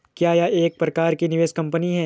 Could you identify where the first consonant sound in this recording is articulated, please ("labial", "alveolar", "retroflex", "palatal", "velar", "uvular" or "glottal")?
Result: velar